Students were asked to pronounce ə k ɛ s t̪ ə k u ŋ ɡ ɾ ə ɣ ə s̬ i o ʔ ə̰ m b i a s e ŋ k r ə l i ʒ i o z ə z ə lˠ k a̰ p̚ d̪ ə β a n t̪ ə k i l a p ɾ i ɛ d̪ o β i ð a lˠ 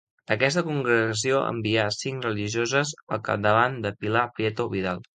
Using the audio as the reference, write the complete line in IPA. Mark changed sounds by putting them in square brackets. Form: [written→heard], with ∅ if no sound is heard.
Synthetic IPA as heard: ə k ɛ s t̪ ə k u ŋ ɡ ɾ ə ɣ ə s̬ i o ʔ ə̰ m b i a s [e→i] ŋ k r ə l i ʒ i o z ə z ə lˠ k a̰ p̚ d̪ ə β a n [t̪→d̪] ə [k→p] i l a p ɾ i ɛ [d̪→t̪] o β i ð a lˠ